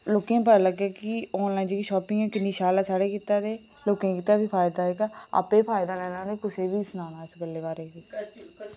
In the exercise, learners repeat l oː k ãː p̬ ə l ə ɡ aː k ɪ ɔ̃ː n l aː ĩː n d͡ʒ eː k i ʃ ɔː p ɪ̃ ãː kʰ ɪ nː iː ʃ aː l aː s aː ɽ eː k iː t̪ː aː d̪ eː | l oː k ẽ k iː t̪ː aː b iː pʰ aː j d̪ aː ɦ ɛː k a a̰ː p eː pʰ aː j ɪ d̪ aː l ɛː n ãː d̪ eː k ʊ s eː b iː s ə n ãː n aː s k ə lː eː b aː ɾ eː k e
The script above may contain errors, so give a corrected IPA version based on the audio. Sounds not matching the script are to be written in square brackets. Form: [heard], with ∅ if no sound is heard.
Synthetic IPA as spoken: l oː k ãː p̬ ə l ə ɡ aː k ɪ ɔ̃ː n l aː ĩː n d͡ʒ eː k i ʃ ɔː p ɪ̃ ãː [k] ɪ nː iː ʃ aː l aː s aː ɽ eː k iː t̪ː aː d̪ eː | l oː k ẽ k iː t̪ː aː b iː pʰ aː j d̪ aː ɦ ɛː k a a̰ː p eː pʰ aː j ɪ d̪ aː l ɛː n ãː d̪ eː k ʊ s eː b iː s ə n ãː n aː s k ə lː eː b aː ɾ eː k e